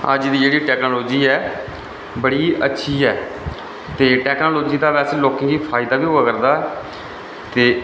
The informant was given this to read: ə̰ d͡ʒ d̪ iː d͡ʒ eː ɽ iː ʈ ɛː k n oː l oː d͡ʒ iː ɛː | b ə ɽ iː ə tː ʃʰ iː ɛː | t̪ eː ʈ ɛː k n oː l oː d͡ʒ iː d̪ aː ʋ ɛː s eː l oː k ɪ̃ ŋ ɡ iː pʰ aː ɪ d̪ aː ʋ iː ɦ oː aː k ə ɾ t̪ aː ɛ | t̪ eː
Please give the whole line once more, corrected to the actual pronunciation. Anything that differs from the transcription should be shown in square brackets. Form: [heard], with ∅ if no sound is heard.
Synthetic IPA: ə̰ d͡ʒ d̪ iː d͡ʒ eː ɽ iː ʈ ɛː k n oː l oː d͡ʒ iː ɛː | b ə ɽ iː ə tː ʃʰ iː ɛː | t̪ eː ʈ ɛː k n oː l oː d͡ʒ iː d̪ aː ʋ ɛː s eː l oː k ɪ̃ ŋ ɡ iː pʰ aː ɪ d̪ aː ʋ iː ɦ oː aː k ə ɾ [d̪] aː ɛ | t̪ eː